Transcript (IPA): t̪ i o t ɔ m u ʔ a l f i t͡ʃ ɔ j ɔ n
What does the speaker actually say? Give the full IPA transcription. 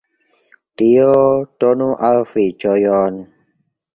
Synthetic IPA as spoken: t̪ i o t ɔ n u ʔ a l f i t͡ʃ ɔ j ɔ n